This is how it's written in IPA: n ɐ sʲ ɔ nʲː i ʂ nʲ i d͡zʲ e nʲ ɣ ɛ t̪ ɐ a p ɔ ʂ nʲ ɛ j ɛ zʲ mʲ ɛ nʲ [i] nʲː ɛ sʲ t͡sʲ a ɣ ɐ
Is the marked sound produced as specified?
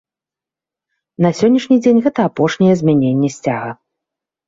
no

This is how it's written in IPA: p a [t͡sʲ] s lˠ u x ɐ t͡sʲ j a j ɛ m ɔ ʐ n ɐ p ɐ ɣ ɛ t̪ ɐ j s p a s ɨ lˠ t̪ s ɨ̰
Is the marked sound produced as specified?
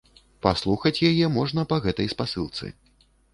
no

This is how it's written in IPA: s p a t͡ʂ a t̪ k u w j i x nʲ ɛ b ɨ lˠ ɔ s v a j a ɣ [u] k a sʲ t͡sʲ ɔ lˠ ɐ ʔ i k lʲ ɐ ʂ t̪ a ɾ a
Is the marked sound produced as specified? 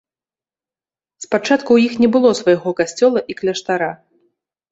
no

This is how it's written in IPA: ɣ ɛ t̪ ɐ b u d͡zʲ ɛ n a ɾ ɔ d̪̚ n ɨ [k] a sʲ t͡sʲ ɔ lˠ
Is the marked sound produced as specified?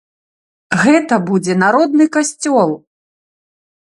yes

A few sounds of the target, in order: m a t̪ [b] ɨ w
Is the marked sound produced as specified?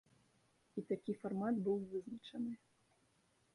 yes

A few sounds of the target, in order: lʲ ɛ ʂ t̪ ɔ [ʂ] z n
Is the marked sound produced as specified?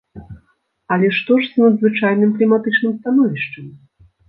yes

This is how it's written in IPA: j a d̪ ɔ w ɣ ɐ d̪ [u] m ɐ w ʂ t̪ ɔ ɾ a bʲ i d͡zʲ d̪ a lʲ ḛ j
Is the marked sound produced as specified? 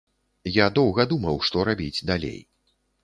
yes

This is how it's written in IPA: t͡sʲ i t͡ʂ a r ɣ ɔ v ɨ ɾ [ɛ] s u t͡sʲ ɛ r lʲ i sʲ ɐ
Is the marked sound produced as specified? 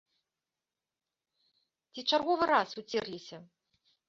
no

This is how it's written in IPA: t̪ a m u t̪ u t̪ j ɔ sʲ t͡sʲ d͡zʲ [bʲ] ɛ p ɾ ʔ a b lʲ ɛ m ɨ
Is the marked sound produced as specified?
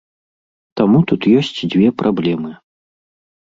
no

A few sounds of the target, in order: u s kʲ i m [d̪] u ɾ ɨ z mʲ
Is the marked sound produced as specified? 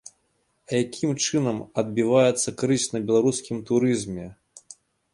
no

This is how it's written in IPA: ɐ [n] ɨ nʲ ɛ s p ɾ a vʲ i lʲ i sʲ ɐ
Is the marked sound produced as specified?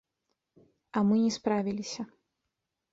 no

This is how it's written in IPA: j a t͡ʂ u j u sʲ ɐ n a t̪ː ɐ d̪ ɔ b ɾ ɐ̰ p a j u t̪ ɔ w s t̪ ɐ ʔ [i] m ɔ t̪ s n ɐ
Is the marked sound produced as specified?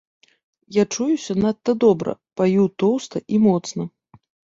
yes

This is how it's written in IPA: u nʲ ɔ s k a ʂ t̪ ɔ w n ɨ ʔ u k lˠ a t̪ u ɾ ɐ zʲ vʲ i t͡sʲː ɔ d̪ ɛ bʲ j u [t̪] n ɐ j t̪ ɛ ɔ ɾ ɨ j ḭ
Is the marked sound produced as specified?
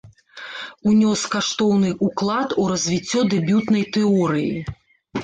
yes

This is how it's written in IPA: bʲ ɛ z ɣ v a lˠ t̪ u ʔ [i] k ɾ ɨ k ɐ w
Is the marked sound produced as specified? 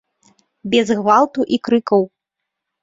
yes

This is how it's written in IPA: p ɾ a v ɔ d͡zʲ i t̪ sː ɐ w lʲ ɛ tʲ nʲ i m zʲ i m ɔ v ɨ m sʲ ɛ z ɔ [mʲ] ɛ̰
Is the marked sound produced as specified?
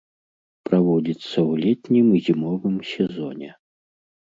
no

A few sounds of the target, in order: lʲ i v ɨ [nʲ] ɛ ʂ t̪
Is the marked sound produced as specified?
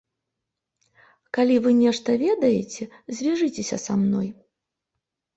yes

